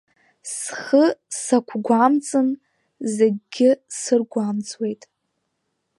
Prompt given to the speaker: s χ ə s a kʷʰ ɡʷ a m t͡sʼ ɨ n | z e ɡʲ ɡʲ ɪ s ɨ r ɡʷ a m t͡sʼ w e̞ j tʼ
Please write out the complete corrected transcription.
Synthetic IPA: s χ ə s a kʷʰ ɡʷ a m t͡sʼ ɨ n | z e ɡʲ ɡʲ ɪ s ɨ r ɡʷ a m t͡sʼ w e̞ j tʼ